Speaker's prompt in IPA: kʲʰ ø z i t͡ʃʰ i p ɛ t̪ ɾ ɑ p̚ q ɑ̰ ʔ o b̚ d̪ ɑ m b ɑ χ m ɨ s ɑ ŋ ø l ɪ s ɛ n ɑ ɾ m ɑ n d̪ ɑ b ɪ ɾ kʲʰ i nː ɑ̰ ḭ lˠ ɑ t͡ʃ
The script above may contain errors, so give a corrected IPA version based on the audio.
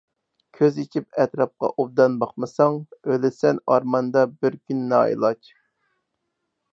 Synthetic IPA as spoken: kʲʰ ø z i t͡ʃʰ i p ɛ t̪ ɾ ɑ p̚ q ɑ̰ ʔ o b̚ d̪ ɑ n b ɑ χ m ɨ s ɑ ŋ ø l ɪ s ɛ n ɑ ɾ m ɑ n d̪ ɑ b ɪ ɾ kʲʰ y nː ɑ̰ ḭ lˠ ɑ t͡ʃ